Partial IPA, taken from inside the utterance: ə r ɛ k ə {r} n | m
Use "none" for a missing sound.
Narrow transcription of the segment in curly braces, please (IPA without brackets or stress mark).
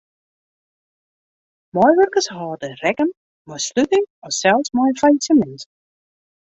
none